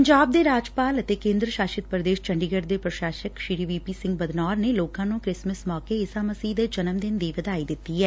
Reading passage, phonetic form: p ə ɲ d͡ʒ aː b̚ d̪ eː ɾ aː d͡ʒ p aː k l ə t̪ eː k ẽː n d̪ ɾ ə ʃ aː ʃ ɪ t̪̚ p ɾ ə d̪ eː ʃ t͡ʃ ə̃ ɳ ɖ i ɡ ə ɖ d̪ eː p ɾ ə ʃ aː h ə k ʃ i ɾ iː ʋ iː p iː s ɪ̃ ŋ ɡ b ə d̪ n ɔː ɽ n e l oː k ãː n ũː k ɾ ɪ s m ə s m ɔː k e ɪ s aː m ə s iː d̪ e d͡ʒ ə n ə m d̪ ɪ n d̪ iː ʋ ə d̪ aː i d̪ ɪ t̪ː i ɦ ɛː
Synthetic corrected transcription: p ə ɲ d͡ʒ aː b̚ d̪ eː ɾ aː d͡ʒ p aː l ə t̪ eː k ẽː n d̪ ɾ ə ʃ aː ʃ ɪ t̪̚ p ɾ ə d̪ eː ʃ t͡ʃ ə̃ ɳ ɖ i ɡ ə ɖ d̪ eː p ɾ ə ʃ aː ʃ ə k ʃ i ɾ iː ʋ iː p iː s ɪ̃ ŋ ɡ b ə d̪ n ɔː ɾ n e l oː k ãː n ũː k ɾ ɪ s m ə s m ɔː k e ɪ s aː m ə s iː d̪ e d͡ʒ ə n ə m d̪ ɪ n d̪ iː ʋ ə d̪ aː i d̪ ɪ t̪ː i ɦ ɛː